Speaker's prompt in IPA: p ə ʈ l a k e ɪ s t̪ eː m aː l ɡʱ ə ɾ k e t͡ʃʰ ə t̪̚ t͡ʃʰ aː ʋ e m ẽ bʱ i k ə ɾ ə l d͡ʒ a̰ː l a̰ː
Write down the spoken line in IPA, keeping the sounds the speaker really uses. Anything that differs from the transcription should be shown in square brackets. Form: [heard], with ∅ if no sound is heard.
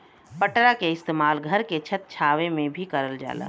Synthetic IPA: p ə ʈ [ɾ] a k e ɪ s t̪ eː m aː l ɡʱ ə ɾ k e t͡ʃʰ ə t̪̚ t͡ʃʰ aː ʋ e m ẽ bʱ i k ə ɾ ə l d͡ʒ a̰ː l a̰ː